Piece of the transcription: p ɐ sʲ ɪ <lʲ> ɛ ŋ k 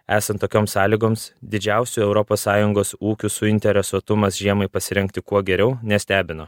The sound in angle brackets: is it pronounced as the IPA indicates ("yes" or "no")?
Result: no